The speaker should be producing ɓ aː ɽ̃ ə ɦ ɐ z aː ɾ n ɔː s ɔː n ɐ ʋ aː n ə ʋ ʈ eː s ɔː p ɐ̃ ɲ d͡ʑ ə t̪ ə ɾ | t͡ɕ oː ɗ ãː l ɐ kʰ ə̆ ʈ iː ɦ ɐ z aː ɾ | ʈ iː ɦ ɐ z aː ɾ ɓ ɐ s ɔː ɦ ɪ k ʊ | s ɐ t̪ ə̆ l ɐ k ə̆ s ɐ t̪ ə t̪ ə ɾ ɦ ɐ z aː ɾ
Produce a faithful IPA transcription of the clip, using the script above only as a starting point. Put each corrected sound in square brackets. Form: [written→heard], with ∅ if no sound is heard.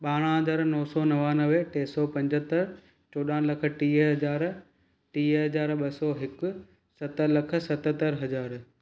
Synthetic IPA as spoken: ɓ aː ɽ̃ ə ɦ ɐ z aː ɾ n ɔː s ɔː n ɐ ʋ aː n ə ʋ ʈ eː s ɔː p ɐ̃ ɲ d͡ʑ ə t̪ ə ɾ | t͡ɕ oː ɗ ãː l ɐ kʰ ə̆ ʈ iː ɦ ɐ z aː ɾ | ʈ iː ɦ ɐ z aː ɾ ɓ ɐ s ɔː ɦ ɪ k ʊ | s ɐ t̪ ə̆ l ɐ [k→kʰ] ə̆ s ɐ t̪ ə t̪ ə ɾ ɦ ɐ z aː ɾ